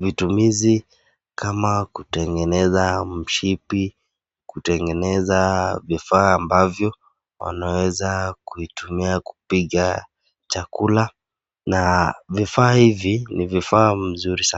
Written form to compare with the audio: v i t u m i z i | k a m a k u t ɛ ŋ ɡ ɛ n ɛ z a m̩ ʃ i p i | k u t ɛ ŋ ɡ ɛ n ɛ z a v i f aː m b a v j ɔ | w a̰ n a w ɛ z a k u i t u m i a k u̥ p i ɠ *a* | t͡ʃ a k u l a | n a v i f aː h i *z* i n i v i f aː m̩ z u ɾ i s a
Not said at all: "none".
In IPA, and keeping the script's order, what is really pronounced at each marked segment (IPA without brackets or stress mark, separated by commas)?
a, v